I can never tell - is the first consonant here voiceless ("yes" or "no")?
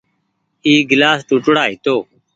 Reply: no